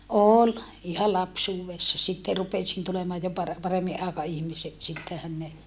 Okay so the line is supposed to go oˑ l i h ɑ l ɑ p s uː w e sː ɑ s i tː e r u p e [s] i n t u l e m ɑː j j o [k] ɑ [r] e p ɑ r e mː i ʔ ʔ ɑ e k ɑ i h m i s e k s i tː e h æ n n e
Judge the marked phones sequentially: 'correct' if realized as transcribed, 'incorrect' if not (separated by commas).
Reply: correct, incorrect, correct